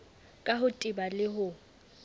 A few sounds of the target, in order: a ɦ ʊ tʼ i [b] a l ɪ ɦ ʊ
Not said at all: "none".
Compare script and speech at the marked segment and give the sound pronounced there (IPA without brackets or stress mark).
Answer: b